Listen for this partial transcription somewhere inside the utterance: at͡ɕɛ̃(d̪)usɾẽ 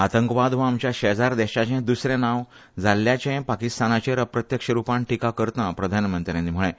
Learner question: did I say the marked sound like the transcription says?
yes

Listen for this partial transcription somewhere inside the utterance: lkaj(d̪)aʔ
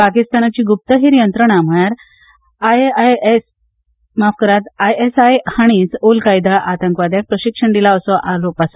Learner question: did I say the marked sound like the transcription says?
yes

